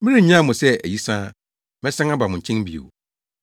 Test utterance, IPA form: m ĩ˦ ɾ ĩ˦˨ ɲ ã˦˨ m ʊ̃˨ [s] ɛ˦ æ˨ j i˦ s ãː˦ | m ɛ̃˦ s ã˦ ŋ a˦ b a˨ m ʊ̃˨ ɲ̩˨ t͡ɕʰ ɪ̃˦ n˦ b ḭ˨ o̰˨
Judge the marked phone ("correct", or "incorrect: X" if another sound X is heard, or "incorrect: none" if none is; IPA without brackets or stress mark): correct